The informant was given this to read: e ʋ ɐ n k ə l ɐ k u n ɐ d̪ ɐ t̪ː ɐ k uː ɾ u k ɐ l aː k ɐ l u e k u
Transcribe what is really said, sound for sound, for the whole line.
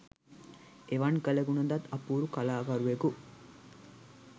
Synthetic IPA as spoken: e ʋ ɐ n k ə l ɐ ɡ u n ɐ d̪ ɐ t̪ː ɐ p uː ɾ u k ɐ l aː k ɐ ɾ u e k u